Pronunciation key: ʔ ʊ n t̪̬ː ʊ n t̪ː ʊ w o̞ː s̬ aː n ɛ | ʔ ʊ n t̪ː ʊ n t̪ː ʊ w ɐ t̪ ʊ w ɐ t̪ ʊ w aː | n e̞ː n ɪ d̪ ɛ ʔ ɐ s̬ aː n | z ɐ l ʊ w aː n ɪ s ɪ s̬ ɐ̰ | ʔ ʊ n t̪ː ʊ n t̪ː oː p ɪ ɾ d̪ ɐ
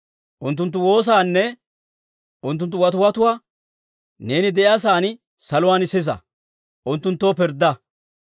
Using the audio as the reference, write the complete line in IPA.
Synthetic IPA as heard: ʔ ʊ n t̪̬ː ʊ n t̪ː ʊ w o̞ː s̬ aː nː ɛ | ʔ ʊ n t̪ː ʊ n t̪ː ʊ w ɐ t̪ ʊ w ɐ t̪ ʊ w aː | n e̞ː n ɪ d̪ ɛ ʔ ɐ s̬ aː n | s ɐ l ʊ w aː n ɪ s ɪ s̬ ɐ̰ | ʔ ʊ n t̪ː ʊ n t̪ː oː p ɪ ɾ d̪ ɐ